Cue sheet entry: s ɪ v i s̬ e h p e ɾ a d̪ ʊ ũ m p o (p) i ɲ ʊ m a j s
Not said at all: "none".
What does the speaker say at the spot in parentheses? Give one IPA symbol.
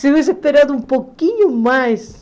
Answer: k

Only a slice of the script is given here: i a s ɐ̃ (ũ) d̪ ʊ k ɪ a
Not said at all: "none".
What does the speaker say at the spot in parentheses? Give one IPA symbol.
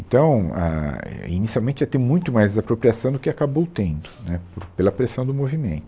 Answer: w̃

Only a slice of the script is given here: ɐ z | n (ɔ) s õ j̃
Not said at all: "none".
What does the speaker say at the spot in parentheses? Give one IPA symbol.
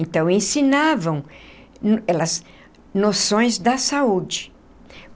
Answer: o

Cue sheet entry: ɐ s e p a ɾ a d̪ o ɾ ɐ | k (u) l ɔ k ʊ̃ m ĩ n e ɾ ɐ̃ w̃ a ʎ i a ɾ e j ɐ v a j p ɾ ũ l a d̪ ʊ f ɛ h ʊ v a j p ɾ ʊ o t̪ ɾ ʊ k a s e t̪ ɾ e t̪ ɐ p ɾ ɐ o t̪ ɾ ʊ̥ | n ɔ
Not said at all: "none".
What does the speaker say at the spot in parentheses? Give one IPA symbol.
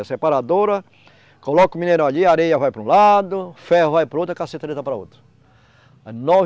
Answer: o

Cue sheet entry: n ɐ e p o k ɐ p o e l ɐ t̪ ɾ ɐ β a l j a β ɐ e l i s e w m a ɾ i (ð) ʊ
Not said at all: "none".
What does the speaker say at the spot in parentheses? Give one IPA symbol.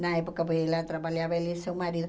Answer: ð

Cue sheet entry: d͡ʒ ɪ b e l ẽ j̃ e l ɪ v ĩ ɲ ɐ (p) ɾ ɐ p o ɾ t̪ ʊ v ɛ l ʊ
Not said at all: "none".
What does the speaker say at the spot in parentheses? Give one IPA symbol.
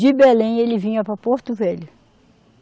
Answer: p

